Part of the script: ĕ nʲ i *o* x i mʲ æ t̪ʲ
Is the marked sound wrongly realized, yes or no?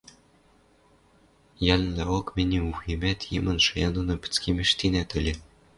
yes